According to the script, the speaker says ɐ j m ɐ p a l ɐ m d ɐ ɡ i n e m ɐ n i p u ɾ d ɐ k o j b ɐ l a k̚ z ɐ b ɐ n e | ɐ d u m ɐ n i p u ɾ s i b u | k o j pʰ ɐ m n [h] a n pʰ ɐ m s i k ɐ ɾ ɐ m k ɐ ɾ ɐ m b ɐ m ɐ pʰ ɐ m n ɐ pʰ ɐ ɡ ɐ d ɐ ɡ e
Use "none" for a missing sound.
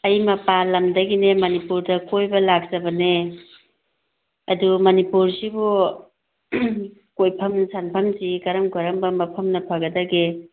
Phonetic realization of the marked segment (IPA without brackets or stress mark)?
s